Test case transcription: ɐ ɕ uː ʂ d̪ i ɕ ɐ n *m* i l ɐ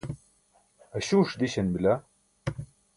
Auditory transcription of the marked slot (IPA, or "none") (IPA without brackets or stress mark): b